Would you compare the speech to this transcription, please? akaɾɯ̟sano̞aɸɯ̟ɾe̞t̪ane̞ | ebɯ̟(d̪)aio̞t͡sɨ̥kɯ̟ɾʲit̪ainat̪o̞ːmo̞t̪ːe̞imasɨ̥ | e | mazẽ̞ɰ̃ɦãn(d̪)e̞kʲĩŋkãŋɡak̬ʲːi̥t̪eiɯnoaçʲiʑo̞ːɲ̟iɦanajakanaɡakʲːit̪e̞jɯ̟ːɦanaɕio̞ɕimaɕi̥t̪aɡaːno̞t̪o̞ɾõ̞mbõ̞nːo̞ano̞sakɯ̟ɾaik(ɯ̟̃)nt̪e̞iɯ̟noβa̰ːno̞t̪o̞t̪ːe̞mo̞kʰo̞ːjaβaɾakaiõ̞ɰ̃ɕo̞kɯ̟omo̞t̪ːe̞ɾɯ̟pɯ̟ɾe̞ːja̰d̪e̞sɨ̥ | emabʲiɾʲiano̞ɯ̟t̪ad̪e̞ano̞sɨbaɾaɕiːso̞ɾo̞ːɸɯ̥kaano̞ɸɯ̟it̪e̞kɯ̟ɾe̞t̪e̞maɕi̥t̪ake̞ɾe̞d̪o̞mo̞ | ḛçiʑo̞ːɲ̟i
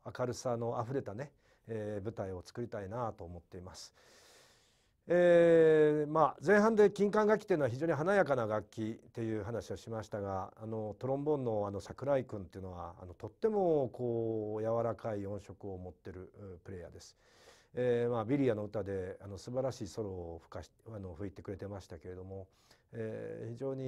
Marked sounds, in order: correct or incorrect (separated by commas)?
incorrect, correct, correct